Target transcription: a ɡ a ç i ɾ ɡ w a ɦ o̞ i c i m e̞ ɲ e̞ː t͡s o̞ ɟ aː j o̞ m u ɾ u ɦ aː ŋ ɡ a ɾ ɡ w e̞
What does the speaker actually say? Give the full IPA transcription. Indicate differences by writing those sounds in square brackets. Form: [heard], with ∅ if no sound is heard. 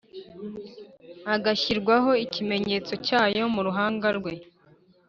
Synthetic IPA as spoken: a ɡ a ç i ɾ ɡ w a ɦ o̞ i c i m e̞ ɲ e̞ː t͡s o̞ [c] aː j o̞ m u ɾ u ɦ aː ŋ ɡ a ɾ ɡ w e̞